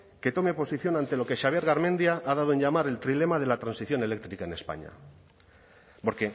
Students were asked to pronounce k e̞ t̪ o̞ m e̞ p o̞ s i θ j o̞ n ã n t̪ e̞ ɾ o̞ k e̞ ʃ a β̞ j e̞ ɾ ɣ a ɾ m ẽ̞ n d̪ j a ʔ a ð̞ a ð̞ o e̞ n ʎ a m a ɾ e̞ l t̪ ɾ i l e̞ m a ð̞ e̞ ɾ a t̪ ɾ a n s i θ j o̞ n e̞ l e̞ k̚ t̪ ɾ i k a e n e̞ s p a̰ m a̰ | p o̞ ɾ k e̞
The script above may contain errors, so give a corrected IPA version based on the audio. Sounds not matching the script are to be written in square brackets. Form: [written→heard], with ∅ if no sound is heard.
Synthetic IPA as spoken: k e̞ t̪ o̞ m e̞ p o̞ s i θ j o̞ n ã n t̪ e̞ [ɾ→l] o̞ k e̞ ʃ a β̞ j e̞ ɾ ɣ a ɾ m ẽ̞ n d̪ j a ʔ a ð̞ a ð̞ o e̞ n ʎ a m a ɾ e̞ l t̪ ɾ i l e̞ m a ð̞ e̞ [ɾ→l] a t̪ ɾ a n s i θ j o̞ n e̞ l e̞ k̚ t̪ ɾ i k a e n e̞ s p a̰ [m→ɲ] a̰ | p o̞ ɾ k e̞